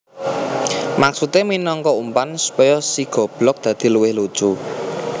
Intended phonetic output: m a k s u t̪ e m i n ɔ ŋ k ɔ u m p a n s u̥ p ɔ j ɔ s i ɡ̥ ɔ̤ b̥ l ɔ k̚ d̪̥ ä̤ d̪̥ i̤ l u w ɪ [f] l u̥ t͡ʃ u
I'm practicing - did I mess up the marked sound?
yes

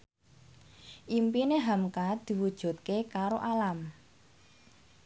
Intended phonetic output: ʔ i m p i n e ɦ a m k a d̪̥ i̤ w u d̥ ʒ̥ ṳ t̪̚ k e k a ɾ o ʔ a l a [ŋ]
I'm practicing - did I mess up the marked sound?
yes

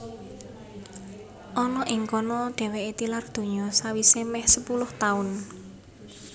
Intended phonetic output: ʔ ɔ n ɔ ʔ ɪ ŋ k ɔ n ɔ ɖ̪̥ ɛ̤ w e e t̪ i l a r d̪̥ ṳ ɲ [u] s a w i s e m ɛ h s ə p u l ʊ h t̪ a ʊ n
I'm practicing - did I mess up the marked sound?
yes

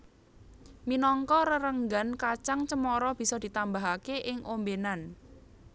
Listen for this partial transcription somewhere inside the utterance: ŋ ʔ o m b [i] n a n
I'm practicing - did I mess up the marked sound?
yes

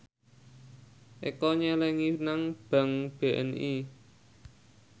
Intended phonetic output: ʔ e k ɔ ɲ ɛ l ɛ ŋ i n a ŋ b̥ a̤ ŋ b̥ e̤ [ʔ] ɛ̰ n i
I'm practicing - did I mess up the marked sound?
no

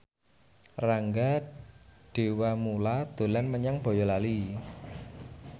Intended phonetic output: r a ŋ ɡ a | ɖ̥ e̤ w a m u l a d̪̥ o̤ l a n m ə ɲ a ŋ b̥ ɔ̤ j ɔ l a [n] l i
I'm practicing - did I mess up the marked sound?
yes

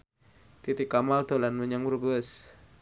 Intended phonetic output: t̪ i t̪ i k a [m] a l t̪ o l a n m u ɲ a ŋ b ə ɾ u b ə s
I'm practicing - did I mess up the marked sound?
no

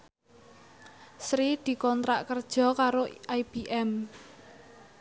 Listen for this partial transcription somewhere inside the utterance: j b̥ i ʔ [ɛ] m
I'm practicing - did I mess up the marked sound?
no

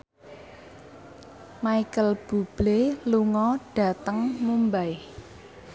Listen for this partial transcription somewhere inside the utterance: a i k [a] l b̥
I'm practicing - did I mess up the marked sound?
yes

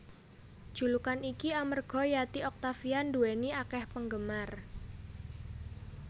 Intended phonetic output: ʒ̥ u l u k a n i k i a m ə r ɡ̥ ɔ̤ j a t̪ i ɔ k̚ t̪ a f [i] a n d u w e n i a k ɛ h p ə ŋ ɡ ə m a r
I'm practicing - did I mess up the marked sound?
no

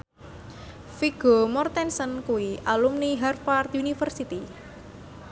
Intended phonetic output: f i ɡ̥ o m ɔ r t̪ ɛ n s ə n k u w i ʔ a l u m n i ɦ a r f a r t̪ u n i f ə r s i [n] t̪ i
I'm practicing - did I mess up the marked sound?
yes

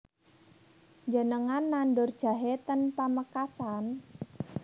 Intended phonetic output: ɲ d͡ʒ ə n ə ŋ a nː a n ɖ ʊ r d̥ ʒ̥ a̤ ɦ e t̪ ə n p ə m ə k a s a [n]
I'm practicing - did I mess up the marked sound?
no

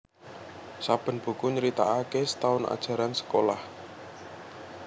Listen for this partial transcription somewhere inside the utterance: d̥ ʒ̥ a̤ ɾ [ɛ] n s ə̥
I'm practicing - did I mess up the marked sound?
yes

